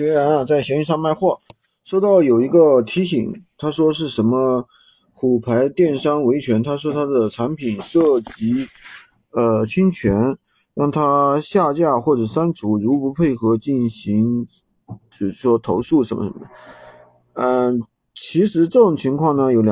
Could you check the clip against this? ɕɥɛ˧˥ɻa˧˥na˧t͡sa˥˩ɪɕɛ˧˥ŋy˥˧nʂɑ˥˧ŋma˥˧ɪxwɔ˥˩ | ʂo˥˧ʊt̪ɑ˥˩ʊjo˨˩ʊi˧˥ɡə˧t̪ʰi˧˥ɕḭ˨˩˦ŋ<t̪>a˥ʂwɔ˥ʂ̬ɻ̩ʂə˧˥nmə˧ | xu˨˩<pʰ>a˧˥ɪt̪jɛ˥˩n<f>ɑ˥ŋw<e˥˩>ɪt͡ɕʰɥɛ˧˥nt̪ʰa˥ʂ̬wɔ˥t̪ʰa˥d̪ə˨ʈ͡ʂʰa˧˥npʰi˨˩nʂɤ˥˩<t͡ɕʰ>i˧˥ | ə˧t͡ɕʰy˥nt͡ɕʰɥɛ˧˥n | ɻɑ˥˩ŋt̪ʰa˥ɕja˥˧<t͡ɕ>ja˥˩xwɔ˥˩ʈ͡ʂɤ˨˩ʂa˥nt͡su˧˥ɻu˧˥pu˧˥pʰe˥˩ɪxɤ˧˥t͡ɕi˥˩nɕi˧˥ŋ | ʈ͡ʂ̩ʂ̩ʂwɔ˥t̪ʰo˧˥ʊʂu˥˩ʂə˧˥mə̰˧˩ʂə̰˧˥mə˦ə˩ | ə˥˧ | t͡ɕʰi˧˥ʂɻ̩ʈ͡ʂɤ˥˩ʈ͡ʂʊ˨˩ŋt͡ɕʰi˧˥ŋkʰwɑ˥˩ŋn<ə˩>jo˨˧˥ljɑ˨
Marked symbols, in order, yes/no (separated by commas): no, yes, no, no, no, yes, yes